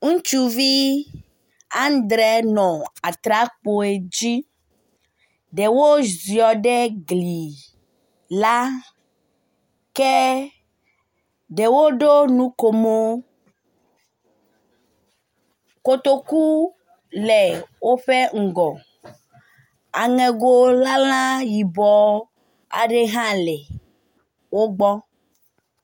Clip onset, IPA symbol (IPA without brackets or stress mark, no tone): ŋ